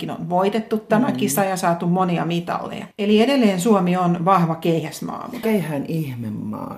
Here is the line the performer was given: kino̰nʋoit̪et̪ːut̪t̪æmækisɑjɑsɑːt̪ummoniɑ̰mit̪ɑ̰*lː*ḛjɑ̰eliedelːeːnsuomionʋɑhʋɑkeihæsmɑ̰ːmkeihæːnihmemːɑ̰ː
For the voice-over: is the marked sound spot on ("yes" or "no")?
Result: yes